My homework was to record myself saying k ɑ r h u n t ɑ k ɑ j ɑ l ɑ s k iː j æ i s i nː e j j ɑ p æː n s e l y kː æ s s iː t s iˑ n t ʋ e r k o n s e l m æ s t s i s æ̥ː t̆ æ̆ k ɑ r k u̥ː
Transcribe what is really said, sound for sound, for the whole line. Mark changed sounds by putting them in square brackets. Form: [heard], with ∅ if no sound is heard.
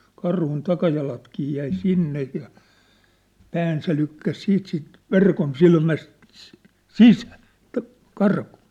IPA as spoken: k ɑ r h u n t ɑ k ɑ j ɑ l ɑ [t] k iː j æ i s i nː e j j ɑ p æː n s e l y kː æ s s iː t s iˑ n t ʋ e r k o n s [i] l m æ s t s i s æ̥ː t̆ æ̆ k ɑ r k u̥ː